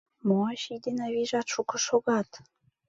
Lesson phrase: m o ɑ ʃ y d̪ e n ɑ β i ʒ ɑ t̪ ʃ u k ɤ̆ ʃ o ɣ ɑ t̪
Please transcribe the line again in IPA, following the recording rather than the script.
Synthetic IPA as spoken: m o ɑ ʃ i d̪ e n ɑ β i ʒ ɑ t̪ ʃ u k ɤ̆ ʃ o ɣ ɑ t̪